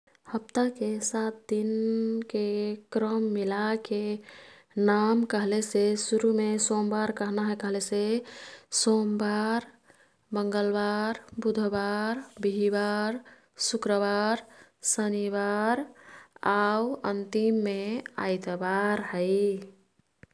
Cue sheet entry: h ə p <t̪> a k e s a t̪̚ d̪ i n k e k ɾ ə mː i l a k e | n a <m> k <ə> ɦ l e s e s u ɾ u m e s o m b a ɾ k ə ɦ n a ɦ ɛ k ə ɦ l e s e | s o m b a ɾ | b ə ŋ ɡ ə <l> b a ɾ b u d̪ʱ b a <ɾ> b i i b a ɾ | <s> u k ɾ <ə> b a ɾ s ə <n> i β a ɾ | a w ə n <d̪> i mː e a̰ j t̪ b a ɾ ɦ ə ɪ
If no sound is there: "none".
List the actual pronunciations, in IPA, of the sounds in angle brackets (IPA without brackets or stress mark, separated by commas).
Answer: t̪, m, ə, l, ɾ, s, ə, n, t̪